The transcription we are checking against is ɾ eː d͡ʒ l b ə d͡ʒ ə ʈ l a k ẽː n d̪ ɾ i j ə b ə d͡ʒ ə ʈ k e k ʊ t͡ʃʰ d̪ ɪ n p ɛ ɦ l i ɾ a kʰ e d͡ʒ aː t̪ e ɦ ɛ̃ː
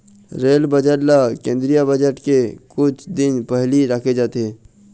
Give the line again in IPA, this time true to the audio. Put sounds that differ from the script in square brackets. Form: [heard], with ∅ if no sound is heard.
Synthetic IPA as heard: ɾ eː [∅] l b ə d͡ʒ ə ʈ l a k ẽː n d̪ ɾ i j [a] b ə d͡ʒ ə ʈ k e k ʊ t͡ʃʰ d̪ ɪ n p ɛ ɦ l i ɾ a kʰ e d͡ʒ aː t̪ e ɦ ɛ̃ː